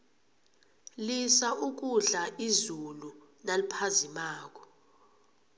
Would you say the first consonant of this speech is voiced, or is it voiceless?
voiced